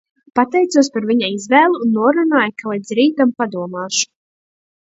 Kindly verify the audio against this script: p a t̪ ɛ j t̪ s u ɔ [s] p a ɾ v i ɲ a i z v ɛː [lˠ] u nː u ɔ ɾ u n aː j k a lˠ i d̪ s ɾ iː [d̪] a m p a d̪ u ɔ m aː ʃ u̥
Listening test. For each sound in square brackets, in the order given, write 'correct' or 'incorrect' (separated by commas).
correct, correct, incorrect